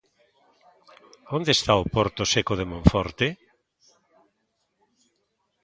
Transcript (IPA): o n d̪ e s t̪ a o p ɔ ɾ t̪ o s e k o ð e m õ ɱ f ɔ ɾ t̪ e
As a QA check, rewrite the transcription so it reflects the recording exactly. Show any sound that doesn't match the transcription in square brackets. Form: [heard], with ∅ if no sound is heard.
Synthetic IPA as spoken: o n d̪ e s t̪ a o p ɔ ɾ t̪ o s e k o ð e m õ ɱ f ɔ ɾ t̪ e